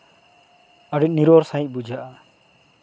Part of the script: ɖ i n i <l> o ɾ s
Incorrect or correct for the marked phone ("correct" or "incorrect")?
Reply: incorrect